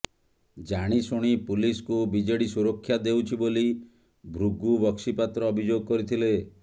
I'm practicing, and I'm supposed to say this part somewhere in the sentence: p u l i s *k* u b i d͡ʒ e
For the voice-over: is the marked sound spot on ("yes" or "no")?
yes